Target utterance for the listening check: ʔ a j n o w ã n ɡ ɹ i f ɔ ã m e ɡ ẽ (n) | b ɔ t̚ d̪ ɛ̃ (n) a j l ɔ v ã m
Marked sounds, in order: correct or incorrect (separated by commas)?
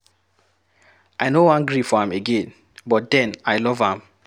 correct, correct